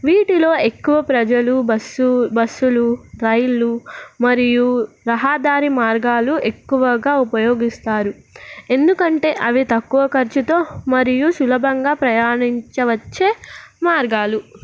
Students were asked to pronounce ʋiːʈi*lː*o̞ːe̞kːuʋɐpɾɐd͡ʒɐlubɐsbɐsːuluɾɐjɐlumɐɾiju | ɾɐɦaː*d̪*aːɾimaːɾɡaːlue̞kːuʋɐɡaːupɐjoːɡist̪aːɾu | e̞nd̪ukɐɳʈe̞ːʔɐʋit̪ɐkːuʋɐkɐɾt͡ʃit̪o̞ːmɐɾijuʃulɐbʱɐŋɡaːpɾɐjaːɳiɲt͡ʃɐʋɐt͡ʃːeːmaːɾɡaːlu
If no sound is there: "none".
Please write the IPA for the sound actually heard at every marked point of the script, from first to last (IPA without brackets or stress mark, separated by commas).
l, d̪